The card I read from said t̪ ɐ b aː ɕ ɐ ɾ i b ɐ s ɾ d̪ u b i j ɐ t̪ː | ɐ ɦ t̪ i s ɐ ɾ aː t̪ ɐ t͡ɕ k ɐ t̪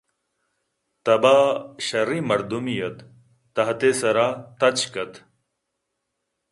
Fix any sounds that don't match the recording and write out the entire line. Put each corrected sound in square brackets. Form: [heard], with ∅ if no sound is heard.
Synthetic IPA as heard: t̪ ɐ b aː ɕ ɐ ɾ i [m] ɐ [∅] ɾ d̪ u [m] i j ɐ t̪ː | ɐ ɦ t̪ [e] s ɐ ɾ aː t̪ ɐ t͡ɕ k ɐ t̪